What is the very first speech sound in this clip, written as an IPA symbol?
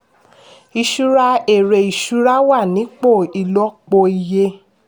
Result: i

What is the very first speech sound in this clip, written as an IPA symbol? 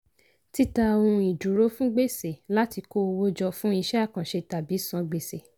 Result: t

